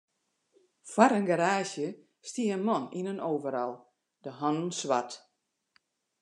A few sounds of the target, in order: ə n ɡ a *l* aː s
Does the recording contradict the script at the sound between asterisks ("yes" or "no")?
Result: yes